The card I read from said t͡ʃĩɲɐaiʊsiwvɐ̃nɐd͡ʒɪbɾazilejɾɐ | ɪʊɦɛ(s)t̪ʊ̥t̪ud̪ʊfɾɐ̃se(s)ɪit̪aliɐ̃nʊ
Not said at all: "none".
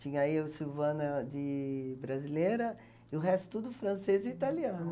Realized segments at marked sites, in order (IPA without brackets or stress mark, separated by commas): s, z